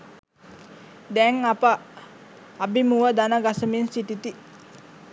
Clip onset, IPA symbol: d̪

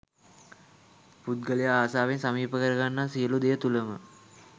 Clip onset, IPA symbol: p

